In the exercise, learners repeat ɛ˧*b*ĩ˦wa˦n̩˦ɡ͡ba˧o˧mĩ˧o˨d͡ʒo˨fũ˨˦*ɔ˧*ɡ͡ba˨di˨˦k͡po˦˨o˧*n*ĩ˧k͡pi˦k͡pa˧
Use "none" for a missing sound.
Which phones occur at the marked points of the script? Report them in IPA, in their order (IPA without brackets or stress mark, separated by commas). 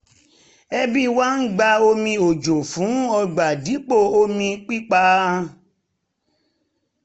b, ɔ˧, m